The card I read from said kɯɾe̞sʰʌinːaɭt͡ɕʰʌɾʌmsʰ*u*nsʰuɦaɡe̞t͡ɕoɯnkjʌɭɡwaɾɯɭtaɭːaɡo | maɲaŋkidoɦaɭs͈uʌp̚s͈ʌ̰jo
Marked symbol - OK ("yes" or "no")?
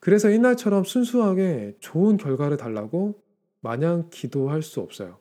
yes